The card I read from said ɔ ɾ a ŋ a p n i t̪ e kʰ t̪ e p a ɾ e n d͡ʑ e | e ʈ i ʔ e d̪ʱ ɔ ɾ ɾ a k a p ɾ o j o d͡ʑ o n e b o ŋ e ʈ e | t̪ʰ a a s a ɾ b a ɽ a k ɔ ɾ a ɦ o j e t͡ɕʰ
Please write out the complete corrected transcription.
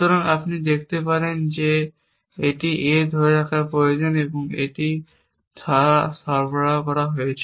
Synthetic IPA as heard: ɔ ɾ a ŋ a p n i d̪ e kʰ t̪ e p a ɾ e n d͡ʑ e | e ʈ i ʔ e d̪ʱ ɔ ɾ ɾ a k a p ɾ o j o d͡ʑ o n e b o ŋ e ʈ i | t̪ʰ a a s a ɾ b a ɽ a k ɔ ɾ a ɦ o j e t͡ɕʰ